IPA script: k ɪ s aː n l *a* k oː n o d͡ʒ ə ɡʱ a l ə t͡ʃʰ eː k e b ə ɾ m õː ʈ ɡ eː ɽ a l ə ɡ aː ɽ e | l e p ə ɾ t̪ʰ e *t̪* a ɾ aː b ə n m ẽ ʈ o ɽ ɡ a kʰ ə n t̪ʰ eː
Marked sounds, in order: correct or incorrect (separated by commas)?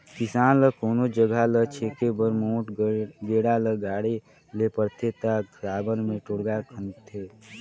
incorrect, correct